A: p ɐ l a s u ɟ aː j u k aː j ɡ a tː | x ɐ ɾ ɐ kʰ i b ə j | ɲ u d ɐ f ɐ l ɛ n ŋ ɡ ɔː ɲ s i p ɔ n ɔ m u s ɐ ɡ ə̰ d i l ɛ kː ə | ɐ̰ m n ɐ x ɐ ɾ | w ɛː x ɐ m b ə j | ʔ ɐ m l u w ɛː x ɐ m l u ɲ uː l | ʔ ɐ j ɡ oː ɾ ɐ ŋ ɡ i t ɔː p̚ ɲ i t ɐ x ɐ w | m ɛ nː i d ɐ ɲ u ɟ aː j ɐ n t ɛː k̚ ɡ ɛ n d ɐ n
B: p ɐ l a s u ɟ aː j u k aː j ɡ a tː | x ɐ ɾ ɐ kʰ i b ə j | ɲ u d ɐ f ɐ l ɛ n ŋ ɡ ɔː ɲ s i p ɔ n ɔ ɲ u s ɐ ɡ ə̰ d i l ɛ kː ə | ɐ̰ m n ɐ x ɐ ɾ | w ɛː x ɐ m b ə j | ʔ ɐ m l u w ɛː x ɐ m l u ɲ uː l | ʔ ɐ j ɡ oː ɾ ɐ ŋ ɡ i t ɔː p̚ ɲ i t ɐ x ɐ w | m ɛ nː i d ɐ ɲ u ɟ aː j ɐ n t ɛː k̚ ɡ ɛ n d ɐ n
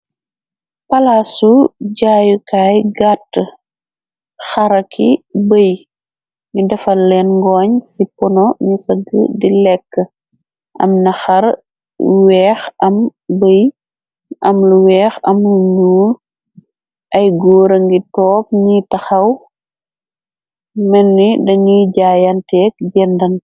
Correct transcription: B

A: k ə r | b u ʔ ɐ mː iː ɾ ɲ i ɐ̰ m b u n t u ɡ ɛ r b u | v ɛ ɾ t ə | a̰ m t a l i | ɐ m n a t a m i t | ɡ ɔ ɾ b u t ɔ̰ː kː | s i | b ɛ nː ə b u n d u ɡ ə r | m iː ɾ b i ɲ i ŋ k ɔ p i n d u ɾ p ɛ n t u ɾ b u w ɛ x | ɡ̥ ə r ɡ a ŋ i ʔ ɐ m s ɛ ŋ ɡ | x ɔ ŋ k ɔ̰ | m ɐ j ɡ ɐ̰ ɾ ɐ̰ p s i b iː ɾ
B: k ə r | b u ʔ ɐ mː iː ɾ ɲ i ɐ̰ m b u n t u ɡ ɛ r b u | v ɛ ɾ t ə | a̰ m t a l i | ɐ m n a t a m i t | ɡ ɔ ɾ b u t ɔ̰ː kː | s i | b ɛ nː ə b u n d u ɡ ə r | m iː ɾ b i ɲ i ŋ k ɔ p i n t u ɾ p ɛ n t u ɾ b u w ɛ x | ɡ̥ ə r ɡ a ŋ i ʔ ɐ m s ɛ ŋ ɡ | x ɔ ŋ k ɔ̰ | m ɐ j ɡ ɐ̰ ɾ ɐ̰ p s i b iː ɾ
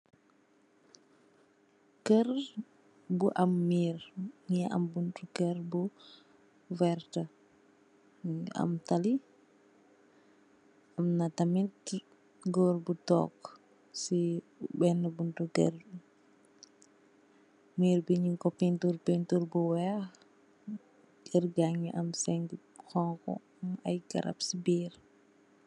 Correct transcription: B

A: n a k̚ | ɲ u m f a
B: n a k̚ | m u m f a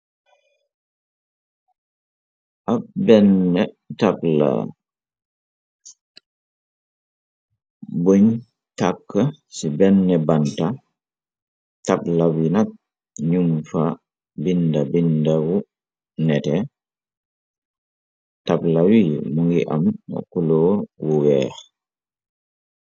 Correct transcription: A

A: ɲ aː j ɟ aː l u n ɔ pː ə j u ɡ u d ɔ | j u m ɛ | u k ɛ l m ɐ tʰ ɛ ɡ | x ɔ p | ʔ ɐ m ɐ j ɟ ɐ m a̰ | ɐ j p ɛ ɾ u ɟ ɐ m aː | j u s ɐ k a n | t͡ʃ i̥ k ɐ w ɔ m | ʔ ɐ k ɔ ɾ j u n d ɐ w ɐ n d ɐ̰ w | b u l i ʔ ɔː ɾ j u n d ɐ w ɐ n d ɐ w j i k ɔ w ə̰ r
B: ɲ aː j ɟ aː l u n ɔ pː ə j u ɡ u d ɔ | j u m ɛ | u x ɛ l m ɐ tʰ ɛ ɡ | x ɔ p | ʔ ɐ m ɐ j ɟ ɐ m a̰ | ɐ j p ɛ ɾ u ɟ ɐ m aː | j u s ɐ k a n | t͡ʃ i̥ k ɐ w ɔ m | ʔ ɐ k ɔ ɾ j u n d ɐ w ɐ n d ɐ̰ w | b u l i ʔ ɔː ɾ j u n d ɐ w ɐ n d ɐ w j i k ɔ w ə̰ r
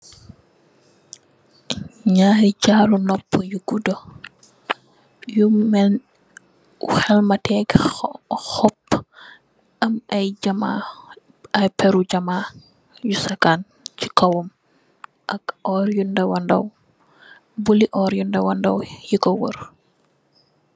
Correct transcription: B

